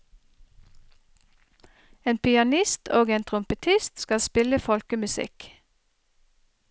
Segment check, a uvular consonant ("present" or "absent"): present